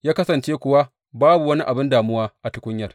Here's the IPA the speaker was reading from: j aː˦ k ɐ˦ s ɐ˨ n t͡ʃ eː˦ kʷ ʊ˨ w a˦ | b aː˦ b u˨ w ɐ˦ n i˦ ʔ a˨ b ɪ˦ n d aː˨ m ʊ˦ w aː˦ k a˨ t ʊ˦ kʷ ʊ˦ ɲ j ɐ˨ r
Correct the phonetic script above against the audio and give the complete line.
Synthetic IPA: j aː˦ k ɐ˦ s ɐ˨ n t͡ʃ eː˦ kʷ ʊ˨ w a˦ | b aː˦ b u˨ w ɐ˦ n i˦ ʔ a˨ b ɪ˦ n d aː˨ m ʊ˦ w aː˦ ʔ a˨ t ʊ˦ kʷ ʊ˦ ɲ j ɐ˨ r

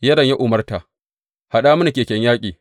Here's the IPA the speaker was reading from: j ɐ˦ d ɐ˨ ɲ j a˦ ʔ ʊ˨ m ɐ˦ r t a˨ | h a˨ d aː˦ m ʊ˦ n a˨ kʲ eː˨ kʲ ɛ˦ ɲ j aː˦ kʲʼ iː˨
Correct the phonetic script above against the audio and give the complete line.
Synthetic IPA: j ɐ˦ d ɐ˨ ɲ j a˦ ʔ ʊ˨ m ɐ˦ r t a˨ | h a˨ ɗ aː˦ m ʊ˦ n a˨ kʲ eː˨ kʲ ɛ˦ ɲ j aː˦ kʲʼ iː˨

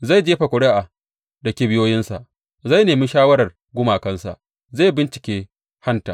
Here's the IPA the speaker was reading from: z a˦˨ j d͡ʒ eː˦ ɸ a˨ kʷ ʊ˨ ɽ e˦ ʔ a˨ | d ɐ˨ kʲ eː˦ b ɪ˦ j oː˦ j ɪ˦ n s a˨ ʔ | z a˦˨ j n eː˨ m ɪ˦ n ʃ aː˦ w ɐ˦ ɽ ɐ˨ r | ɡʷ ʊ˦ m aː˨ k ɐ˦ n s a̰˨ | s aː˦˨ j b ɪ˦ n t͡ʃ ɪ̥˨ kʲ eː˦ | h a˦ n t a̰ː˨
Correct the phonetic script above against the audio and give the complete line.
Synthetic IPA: z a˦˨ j d͡ʒ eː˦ ɸ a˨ kʷ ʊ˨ ɽ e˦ ʔ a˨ | d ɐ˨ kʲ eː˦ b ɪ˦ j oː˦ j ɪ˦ n s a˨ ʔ | z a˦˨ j n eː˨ m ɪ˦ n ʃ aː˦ w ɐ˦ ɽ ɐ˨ r | ɡʷ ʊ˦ m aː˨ k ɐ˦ n s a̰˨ | z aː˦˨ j b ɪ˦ n t͡ʃ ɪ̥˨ kʲ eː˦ | h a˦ n t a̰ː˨

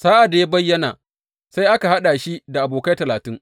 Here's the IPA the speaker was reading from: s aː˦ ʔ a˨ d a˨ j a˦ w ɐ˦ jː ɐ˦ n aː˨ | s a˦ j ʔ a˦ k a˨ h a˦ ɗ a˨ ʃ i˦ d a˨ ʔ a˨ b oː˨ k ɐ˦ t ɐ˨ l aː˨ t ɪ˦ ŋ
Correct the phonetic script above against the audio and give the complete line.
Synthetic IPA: s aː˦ ʔ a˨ d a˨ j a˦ b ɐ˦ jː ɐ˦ n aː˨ | s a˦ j ʔ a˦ k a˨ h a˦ ɗ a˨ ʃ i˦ d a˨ ʔ a˨ b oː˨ k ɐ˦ t ɐ˨ l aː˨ t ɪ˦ ŋ

